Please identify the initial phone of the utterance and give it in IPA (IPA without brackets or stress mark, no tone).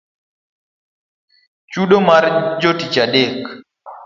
t͡ʃ